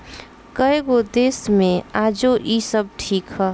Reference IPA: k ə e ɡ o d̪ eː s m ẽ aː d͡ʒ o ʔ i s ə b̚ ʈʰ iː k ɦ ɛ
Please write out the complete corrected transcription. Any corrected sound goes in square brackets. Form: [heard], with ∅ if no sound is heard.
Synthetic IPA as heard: k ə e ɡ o d̪ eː s m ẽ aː d͡ʒ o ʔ i s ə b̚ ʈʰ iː k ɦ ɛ